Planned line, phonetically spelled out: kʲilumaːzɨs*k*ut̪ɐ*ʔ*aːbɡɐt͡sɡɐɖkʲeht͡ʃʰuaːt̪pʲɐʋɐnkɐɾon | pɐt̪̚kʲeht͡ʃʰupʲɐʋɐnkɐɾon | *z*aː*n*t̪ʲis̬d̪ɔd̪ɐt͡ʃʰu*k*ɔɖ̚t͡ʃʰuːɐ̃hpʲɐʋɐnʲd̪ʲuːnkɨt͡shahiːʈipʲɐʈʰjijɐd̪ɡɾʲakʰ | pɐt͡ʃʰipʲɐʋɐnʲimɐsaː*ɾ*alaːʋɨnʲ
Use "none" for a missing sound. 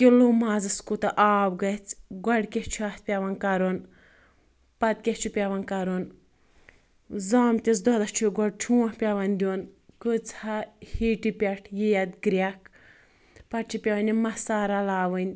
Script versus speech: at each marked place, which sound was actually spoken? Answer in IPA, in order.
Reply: k, ʔ, z, m, ɡ, ɾ

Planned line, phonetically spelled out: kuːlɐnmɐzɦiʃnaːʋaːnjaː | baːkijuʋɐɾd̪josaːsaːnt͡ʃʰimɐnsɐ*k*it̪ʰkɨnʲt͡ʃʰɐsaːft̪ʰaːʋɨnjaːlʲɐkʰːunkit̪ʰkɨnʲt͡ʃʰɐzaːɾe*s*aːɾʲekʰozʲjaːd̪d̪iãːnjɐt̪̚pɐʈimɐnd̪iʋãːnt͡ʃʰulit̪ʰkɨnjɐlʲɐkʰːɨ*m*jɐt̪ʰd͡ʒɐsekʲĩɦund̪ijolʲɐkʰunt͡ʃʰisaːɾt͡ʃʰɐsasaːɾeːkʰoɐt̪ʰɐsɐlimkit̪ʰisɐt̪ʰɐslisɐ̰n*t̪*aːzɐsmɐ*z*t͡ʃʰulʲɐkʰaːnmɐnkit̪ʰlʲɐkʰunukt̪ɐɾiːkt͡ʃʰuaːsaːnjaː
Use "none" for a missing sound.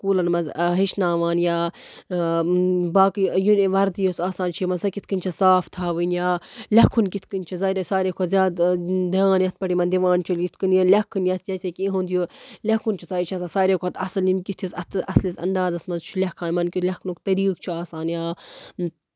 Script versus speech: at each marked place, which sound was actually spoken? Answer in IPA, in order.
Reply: k, s, n, d̪, z

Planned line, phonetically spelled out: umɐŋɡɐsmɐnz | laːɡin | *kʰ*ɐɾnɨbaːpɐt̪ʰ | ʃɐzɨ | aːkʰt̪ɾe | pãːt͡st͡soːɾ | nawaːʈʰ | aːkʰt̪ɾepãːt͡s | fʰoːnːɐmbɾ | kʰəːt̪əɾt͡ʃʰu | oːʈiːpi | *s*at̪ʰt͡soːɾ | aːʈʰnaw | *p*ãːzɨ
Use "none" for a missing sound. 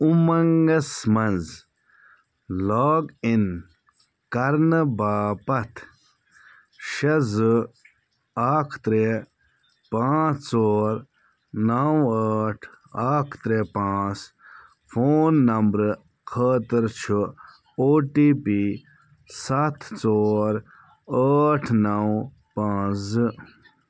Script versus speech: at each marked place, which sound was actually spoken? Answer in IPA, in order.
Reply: k, s, p

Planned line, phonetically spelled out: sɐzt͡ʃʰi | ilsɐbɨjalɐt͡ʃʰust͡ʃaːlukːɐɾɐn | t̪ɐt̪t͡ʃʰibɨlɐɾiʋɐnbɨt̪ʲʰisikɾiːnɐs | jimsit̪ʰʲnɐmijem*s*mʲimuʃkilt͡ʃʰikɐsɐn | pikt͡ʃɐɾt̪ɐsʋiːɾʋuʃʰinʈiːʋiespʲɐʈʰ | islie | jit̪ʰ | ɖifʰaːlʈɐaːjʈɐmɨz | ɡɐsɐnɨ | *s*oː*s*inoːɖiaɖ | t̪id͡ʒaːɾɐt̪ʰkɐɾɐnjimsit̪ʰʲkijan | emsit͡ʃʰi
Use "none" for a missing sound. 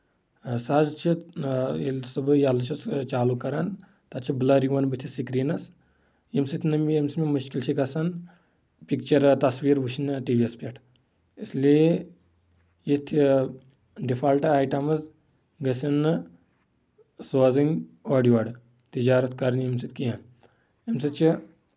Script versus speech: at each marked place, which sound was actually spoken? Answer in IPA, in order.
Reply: s, s, z

